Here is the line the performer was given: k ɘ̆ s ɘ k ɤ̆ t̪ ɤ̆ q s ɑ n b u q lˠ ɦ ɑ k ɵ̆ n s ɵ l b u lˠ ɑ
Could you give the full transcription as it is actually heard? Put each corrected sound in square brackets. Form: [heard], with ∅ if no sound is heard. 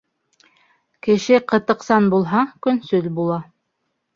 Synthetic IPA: k ɘ̆ [ʃ] ɘ [q] ɤ̆ t̪ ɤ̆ q s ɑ n b u [∅] lˠ ɦ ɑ k ɵ̆ n s ɵ l b u lˠ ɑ